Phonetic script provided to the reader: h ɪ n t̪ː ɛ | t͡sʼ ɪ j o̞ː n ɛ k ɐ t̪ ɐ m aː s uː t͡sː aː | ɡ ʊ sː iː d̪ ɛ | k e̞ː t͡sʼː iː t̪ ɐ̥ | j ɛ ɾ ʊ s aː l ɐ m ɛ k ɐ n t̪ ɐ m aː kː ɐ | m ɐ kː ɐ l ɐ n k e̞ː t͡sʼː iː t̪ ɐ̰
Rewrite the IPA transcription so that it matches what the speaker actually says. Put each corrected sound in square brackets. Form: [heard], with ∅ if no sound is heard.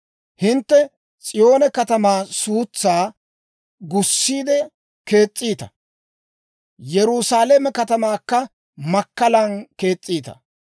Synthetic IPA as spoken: h ɪ n t̪ː ɛ | t͡sʼ ɪ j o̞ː n ɛ k ɐ t̪ ɐ m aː s uː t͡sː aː | ɡ ʊ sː iː d̪ ɛ | k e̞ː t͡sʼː iː t̪ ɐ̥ | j ɛ ɾ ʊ s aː l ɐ m ɛ k ɐ [∅] t̪ ɐ m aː kː ɐ | m ɐ kː ɐ l ɐ n k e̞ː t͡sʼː iː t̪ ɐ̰